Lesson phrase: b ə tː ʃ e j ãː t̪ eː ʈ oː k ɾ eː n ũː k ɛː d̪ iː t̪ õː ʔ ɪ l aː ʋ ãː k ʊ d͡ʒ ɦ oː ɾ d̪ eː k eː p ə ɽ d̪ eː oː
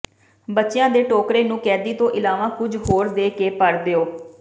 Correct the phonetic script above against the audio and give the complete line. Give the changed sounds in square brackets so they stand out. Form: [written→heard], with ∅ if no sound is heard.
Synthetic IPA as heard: b ə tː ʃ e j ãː [t̪→d̪] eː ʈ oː k ɾ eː n ũː k ɛː d̪ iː t̪ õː ʔ ɪ l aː ʋ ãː k ʊ d͡ʒ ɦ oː ɾ d̪ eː k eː p ə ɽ d̪ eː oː